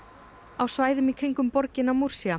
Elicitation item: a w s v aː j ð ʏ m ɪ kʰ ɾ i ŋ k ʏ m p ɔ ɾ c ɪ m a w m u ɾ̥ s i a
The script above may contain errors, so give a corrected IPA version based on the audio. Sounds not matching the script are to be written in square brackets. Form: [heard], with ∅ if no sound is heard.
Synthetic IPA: a w s v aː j ð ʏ m [i] kʰ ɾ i ŋ k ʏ m p ɔ ɾ c ɪ [n] a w m u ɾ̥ s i a